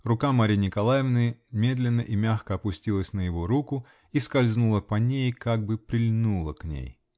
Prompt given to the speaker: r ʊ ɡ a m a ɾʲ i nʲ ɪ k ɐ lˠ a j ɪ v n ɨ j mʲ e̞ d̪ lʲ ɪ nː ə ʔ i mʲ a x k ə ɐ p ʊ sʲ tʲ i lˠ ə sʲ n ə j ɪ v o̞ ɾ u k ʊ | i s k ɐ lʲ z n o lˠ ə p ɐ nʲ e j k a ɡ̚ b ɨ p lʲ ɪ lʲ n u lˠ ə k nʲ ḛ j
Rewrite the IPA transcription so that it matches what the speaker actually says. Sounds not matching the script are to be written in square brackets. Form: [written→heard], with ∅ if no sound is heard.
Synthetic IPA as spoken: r ʊ [ɡ→k] a m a ɾʲ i nʲ ɪ k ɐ lˠ a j ɪ v n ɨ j mʲ e̞ d̪ lʲ ɪ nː ə ʔ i mʲ a x k ə ɐ p ʊ sʲ tʲ i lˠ ə sʲ n ə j ɪ v o̞ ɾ u k ʊ | i s k ɐ lʲ z n [o→u] lˠ ə p ɐ nʲ e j k a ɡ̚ b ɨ p [lʲ→ɾʲ] ɪ lʲ n u lˠ ə k nʲ ḛ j